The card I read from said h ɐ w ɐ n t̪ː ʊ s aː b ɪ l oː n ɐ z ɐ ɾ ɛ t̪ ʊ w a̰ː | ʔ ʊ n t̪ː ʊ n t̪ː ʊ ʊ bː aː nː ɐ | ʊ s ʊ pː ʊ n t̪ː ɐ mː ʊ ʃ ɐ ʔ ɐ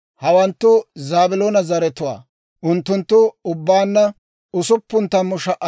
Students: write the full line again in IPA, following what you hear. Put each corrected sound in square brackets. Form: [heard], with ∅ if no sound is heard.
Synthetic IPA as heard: h ɐ w ɐ n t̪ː ʊ [z] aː b ɪ l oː n ɐ z ɐ ɾ ɛ t̪ ʊ w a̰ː | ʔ ʊ n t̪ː ʊ n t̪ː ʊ ʊ bː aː nː ɐ | ʊ s ʊ pː ʊ n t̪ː ɐ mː ʊ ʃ ɐ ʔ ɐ